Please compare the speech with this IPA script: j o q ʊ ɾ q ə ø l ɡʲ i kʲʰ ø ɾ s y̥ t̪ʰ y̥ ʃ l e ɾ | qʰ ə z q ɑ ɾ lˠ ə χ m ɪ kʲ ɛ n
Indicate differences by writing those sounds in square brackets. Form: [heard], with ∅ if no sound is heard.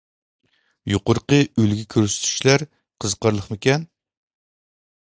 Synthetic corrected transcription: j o q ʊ ɾ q ə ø l ɡʲ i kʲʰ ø ɾ s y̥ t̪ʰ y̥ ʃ l [æ] ɾ | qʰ ə z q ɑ ɾ lˠ ə χ m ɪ kʲ ɛ n

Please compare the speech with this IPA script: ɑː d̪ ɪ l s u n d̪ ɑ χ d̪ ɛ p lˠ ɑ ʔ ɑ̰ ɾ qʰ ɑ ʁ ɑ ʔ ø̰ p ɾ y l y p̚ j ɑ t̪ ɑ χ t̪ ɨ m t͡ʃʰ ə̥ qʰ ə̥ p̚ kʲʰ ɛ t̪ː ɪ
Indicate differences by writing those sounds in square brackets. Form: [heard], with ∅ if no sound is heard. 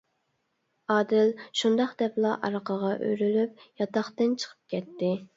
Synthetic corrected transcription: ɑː d̪ ɪ l [ʃ] u n d̪ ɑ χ d̪ ɛ p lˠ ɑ ʔ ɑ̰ ɾ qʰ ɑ ʁ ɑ ʔ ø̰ [∅] ɾ y l y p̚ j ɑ t̪ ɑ χ t̪ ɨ [n] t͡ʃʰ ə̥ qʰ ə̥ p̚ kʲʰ ɛ t̪ː ɪ

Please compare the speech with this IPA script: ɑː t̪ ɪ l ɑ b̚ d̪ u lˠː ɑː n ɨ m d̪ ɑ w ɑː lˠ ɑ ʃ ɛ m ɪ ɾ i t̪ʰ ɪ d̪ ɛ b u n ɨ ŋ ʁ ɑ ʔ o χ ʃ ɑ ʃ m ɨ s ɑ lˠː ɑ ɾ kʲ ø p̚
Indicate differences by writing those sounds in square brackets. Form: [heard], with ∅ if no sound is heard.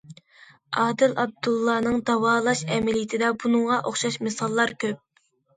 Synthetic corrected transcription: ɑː [d̪] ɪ l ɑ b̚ d̪ u lˠː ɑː n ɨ [ŋ] d̪ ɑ w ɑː lˠ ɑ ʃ ɛ m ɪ [l] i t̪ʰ ɪ d̪ ɛ b u n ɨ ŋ ʁ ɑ ʔ o χ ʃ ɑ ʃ m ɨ s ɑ lˠː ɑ ɾ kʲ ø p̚

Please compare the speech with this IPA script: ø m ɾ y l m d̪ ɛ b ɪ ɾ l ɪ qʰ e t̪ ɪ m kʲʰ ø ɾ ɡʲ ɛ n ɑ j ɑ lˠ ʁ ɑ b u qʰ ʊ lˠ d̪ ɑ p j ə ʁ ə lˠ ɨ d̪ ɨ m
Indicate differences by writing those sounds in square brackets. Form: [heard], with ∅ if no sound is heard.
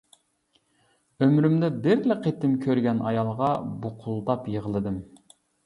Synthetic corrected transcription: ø m ɾ y [∅] m d̪ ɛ b ɪ ɾ l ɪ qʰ e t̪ ɪ m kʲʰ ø ɾ ɡʲ ɛ n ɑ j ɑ lˠ ʁ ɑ b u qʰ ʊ lˠ d̪ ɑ p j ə ʁ ə lˠ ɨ d̪ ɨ m

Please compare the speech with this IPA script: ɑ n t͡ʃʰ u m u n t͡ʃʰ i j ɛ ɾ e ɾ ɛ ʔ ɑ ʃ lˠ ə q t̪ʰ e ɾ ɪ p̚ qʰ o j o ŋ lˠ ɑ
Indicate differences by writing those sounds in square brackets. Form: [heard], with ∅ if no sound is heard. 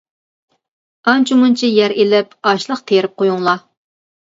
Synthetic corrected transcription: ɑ n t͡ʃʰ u m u n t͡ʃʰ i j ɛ ɾ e [l] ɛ [p] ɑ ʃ lˠ ə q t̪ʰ e ɾ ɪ p̚ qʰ o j [u] ŋ lˠ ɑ

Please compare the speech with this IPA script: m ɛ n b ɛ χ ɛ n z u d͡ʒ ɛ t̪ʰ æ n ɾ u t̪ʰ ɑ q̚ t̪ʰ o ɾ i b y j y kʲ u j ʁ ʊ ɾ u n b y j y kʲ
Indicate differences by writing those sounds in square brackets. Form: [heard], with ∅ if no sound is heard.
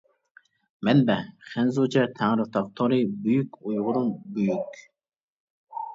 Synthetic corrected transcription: m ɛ n b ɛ χ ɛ n z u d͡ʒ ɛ t̪ʰ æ [ŋ] ɾ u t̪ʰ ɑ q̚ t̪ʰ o ɾ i b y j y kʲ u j ʁ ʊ ɾ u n b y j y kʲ

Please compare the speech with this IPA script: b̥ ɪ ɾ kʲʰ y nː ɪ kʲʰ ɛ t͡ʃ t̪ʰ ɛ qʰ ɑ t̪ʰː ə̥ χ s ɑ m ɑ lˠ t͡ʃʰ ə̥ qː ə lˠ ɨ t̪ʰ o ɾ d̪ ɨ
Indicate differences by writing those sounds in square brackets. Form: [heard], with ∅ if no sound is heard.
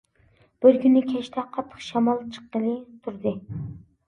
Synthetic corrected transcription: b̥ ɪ ɾ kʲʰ y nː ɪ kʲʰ ɛ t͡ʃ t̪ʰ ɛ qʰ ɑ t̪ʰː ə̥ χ [ʃ] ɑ m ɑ lˠ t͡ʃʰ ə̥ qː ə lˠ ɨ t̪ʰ [u] ɾ d̪ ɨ

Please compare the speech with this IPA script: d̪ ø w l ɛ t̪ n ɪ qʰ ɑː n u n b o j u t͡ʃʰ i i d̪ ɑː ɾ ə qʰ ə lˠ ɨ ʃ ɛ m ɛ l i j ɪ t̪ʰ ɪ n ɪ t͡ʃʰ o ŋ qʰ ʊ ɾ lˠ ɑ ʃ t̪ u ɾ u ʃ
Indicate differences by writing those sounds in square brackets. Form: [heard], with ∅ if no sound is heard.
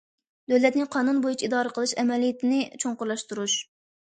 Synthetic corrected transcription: d̪ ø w l ɛ t̪ n ɪ qʰ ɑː n u n b o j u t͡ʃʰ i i d̪ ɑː ɾ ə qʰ ə lˠ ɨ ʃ ɛ m ɛ l i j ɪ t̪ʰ ɪ n ɪ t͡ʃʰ o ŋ [q] ʊ ɾ lˠ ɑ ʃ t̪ u ɾ u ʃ

